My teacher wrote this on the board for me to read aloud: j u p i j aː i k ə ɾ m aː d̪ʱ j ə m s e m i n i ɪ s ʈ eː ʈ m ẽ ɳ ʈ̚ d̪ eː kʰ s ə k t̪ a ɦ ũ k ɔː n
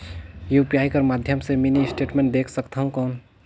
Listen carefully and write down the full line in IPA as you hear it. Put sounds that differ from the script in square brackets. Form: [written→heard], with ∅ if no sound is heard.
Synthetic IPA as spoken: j u p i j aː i k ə ɾ m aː d̪ʱ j ə m s e m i n i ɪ s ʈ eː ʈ m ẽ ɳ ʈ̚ d̪ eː kʰ s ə k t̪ a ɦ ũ k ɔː n